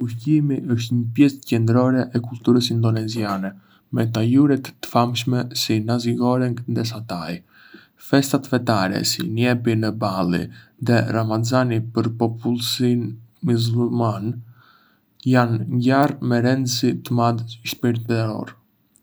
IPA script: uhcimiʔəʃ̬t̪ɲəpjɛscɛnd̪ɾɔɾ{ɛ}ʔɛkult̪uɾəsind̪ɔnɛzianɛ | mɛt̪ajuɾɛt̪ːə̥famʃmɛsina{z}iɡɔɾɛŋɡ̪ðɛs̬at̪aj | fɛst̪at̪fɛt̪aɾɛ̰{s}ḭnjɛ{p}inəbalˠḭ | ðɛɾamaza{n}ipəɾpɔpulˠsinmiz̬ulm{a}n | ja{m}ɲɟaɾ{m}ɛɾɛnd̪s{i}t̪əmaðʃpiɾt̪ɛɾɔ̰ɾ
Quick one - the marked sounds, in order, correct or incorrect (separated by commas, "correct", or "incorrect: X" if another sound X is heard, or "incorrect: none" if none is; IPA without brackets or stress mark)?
correct, correct, correct, correct, correct, correct, incorrect: n, correct, correct